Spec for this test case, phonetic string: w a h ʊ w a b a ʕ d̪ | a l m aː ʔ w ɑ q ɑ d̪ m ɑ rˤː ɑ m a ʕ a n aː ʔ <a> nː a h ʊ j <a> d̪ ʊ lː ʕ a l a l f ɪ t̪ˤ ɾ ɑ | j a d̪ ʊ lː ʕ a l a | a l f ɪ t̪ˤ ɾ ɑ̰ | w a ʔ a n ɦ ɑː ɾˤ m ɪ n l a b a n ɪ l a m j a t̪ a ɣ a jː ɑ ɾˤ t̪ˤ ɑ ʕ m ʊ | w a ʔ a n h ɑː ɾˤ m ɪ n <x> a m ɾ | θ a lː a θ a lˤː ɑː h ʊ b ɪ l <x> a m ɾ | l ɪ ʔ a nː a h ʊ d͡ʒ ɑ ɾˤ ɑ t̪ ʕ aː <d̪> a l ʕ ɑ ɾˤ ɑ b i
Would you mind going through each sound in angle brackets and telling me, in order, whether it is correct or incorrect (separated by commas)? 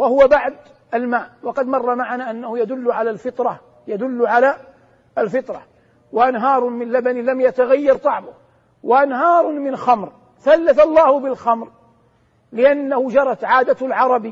correct, correct, correct, correct, correct